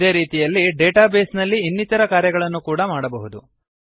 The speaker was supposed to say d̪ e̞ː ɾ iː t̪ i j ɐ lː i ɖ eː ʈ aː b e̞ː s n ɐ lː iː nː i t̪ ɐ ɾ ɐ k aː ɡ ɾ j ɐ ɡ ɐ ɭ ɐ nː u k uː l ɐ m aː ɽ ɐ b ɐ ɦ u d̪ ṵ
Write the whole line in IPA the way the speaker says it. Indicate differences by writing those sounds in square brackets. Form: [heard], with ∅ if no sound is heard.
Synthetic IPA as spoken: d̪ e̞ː ɾ iː t̪ i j ɐ lː i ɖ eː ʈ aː b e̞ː s n ɐ lː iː nː i t̪ ɐ ɾ ɐ k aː [∅] ɾ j ɐ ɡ ɐ ɭ ɐ nː u k uː [ɽ] ɐ m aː ɽ ɐ b ɐ ɦ u d̪ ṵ